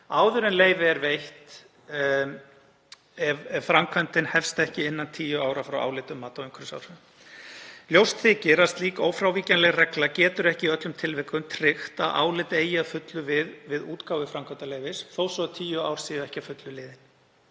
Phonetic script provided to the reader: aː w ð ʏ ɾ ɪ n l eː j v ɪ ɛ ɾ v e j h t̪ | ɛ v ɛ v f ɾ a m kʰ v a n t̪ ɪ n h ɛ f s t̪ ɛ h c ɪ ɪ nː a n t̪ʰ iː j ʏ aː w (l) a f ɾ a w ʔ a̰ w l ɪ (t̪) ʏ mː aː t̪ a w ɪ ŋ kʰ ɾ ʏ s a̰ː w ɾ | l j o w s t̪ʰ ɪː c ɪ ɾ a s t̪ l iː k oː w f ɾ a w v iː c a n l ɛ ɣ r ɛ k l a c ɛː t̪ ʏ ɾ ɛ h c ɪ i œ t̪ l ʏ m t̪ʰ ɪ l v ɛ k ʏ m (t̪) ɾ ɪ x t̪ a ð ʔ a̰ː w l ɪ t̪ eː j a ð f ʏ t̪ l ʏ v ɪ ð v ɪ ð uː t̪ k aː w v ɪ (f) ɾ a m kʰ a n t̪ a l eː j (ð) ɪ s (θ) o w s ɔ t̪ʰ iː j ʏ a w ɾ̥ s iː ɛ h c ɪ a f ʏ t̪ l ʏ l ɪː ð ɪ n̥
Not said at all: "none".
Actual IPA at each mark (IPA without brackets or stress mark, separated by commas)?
ɾ, t̪, t̪ʰ, f, v, θ